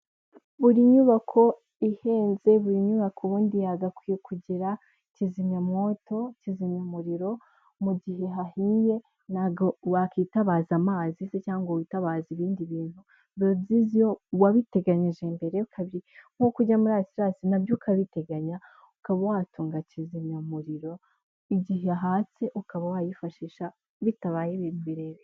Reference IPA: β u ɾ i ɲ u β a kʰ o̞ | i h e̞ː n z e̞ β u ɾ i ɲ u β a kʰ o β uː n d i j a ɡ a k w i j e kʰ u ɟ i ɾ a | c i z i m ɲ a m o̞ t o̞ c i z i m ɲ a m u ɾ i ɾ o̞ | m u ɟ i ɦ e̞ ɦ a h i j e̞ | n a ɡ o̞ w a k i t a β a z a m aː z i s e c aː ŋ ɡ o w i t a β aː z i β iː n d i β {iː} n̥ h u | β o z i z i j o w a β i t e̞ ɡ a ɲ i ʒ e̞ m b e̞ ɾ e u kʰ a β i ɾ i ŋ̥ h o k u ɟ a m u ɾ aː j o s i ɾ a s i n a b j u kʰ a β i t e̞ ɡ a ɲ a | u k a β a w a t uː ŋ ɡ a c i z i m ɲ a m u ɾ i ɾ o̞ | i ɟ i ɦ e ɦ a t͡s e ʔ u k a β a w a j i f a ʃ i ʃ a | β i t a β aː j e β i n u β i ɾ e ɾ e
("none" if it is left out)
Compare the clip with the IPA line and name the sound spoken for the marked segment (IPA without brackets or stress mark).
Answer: iː